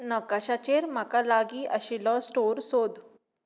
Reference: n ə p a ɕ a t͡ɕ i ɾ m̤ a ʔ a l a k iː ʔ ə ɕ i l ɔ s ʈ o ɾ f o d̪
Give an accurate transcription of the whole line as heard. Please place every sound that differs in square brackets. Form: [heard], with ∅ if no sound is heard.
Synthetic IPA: n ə [k] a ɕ a t͡ɕ [e] ɾ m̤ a [k] a l a [ɡ] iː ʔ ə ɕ i l ɔ s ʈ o ɾ [s] o d̪